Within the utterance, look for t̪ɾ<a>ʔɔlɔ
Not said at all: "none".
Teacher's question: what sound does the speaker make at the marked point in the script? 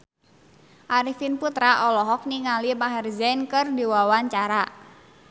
a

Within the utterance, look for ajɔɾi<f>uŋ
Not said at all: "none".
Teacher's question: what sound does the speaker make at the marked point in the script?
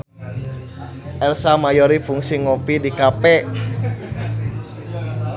f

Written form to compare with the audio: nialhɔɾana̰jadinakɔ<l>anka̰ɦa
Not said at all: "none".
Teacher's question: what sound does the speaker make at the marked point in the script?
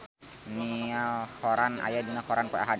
ɾ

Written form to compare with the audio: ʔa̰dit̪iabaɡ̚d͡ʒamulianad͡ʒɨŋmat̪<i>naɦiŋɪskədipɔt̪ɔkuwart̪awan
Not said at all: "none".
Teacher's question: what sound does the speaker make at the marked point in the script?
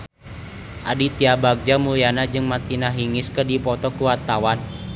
i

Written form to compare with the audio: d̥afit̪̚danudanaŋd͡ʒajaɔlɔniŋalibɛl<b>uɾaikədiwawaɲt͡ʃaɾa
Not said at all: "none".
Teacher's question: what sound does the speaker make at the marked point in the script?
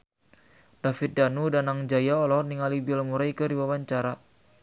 m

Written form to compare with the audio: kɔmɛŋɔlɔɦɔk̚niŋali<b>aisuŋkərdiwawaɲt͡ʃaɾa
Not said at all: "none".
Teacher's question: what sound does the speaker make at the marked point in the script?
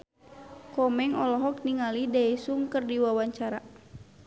d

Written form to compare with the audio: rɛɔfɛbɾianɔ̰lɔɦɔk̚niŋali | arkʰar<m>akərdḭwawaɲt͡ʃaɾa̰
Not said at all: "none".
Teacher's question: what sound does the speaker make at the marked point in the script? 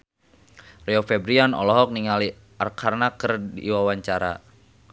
n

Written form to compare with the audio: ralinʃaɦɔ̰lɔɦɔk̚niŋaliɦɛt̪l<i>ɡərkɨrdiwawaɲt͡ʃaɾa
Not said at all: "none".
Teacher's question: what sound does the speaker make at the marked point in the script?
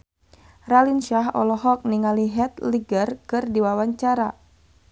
i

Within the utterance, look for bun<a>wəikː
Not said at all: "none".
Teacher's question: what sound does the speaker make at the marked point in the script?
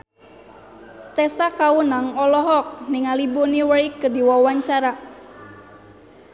i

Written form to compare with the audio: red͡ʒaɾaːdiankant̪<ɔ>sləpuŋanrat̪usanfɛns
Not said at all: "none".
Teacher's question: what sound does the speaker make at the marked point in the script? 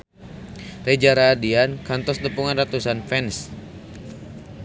ɔ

